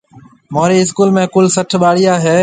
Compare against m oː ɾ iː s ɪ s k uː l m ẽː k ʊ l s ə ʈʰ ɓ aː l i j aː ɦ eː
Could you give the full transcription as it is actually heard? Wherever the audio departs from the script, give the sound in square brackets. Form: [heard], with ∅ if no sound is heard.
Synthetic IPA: m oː ɾ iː [∅] ɪ s k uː l m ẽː k ʊ l s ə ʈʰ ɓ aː [ɽ] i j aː ɦ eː